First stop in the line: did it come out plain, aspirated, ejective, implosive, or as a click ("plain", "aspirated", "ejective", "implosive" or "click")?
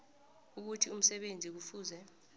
plain